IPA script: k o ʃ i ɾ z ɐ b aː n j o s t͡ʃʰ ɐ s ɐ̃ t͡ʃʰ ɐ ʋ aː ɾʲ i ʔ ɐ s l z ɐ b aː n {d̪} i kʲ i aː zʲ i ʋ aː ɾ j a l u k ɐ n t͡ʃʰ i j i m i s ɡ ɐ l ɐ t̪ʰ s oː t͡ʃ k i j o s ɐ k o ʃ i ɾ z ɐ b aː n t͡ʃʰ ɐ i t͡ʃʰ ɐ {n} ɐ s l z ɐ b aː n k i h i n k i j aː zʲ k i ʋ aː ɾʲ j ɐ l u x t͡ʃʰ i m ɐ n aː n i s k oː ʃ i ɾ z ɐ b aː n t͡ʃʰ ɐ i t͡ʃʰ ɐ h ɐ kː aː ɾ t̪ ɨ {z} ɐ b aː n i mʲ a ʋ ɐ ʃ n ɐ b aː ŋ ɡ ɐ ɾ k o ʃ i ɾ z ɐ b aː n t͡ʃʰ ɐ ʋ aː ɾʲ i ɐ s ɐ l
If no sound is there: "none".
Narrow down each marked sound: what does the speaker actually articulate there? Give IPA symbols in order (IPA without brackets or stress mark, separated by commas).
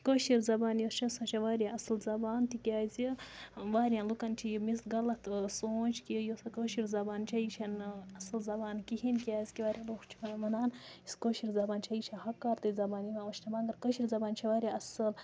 t̪, n, z